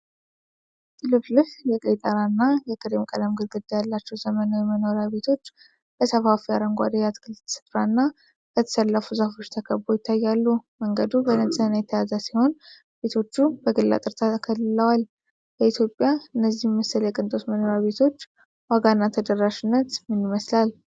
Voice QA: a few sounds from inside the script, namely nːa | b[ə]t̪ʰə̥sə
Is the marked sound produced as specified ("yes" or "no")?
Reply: yes